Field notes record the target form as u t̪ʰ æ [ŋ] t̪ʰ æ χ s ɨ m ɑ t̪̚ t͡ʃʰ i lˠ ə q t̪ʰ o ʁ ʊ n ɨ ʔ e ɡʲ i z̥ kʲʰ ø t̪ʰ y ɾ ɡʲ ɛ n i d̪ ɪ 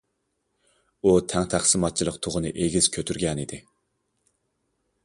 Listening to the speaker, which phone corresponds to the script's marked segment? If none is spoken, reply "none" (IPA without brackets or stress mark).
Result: ŋ